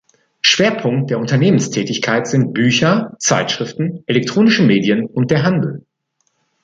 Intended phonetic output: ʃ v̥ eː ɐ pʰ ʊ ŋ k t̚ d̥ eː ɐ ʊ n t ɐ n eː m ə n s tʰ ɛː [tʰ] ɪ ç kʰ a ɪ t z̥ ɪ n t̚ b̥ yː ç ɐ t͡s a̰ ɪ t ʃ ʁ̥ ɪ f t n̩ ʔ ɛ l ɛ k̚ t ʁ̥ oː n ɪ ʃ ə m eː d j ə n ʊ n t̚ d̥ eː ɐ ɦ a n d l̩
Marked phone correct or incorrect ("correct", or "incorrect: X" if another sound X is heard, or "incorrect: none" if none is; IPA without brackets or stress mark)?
incorrect: t